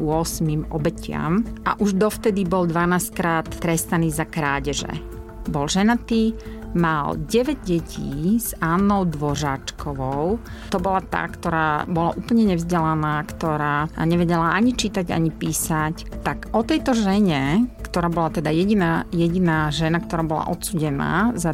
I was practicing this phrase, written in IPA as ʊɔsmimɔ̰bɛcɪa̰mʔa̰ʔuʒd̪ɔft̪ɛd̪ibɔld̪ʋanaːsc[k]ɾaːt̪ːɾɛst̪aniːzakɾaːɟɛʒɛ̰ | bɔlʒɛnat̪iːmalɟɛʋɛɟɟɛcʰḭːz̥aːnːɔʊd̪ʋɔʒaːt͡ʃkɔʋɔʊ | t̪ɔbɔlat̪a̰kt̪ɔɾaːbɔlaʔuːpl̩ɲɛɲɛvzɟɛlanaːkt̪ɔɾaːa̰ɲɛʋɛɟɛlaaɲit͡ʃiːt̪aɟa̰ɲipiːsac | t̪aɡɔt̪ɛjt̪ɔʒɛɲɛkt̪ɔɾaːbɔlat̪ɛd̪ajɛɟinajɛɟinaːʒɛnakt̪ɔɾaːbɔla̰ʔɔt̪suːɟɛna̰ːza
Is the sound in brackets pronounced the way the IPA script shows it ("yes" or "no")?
yes